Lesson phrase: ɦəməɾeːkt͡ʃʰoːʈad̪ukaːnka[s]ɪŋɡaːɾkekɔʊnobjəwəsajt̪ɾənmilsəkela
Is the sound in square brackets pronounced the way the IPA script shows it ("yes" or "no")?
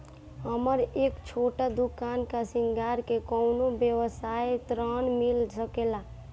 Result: yes